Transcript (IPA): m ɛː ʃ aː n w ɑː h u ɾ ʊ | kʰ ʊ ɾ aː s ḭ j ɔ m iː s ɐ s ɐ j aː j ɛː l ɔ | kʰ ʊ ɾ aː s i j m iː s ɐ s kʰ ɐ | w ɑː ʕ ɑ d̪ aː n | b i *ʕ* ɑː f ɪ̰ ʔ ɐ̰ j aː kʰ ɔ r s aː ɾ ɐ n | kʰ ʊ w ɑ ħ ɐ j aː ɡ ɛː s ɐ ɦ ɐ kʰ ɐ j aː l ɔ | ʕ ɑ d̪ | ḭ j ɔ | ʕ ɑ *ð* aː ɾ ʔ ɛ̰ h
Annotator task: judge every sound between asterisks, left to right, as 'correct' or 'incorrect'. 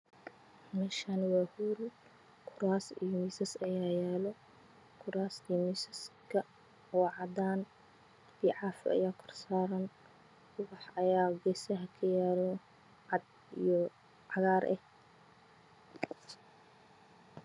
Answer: correct, incorrect: ɣ

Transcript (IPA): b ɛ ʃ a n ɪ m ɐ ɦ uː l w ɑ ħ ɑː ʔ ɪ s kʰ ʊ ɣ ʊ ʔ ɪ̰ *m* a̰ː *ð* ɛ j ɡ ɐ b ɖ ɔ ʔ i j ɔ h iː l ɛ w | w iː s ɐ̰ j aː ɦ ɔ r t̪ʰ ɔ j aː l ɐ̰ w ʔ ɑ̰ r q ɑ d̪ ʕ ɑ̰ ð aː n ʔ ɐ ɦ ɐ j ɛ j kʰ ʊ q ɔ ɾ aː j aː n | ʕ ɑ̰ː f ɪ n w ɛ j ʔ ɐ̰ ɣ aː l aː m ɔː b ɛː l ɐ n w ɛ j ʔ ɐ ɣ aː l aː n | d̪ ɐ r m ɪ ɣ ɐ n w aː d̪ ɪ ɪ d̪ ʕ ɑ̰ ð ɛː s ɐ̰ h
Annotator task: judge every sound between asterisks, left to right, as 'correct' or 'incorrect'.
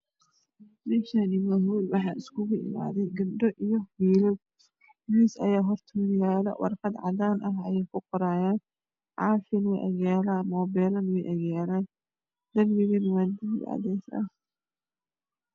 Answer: correct, correct

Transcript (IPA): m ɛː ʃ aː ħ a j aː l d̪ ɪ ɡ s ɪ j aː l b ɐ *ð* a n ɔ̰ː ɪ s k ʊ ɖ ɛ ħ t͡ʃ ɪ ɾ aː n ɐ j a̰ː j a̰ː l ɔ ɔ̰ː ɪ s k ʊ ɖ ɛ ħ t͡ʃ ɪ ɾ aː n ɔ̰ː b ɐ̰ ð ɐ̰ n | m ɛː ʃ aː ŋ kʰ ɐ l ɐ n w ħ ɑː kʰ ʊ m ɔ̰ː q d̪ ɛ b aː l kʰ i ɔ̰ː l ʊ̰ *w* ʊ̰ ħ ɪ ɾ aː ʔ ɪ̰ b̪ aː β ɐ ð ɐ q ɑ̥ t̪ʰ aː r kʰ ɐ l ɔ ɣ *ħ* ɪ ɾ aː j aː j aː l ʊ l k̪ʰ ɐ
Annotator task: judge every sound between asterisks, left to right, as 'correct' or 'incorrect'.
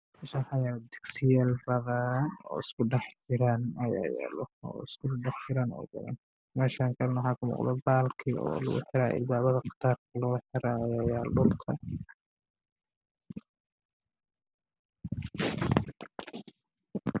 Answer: correct, incorrect: ɣ, correct

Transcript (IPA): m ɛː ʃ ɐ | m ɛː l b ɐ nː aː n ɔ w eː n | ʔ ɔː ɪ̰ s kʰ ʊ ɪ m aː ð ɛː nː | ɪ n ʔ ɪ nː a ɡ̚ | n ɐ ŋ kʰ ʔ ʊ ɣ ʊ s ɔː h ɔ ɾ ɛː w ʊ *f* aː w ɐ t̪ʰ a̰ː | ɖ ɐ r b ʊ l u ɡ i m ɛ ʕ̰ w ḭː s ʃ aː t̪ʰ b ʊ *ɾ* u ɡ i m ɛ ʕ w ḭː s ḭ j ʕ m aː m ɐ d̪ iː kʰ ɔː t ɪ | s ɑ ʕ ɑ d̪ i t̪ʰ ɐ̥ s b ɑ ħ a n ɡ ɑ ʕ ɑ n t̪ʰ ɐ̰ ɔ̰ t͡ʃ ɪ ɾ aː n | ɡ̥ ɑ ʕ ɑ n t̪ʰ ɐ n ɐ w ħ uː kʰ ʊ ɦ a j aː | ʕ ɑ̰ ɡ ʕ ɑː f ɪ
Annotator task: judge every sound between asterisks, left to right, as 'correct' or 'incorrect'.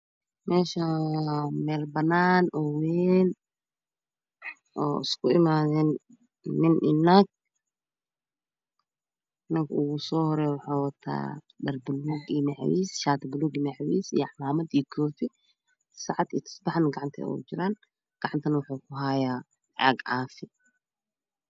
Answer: incorrect: ħ, incorrect: l

